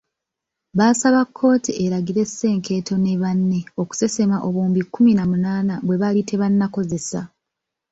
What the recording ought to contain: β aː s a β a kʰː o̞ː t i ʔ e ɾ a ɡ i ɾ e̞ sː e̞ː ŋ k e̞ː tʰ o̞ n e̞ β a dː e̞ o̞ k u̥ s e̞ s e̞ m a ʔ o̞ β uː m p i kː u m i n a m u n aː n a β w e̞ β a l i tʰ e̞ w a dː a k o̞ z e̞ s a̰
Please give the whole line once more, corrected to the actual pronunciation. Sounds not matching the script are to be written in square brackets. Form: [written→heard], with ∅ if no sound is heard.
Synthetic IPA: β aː s a β a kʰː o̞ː t i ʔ e ɾ a ɡ i ɾ e̞ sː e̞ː ŋ k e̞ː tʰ o̞ n e̞ β a [dː→nː] e̞ o̞ k u̥ s e̞ s e̞ m a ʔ o̞ β uː m [p→b] i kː u m i n a m u n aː n a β w e̞ β a l i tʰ e̞ [w→β] a [dː→nː] a k o̞ z e̞ s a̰